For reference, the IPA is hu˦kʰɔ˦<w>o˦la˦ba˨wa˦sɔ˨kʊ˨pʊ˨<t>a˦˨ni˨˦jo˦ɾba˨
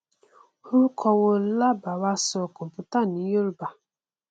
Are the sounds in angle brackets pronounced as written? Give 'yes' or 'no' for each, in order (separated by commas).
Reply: yes, yes